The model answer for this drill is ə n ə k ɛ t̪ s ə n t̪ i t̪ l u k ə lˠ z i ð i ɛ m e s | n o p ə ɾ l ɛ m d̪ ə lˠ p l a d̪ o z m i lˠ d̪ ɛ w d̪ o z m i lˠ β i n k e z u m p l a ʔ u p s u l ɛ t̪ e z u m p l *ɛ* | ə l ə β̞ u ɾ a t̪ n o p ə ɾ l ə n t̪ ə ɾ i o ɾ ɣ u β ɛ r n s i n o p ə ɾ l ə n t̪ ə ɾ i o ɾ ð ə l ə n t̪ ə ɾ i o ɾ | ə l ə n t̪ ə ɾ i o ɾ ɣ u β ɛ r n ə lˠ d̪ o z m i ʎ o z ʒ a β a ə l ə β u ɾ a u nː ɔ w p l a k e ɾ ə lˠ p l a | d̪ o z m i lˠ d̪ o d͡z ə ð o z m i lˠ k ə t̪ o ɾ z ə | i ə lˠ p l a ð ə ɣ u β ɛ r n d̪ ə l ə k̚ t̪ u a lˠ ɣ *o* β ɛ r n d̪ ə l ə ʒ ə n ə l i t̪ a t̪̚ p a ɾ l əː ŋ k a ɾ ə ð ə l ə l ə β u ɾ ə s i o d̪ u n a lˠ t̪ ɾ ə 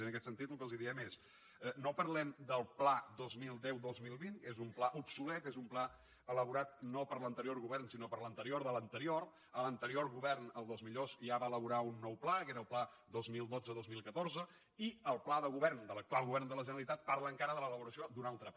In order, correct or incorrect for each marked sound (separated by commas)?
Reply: incorrect, incorrect